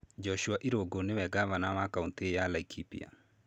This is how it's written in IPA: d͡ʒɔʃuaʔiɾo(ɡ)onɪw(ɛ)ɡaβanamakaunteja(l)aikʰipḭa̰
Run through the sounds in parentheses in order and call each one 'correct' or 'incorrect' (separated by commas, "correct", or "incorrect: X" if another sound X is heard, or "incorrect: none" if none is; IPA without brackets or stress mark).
correct, correct, correct